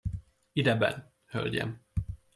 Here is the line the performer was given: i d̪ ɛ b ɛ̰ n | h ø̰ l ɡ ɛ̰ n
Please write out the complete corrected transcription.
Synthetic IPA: i d̪ ɛ b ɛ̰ n | h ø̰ l ɟ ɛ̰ m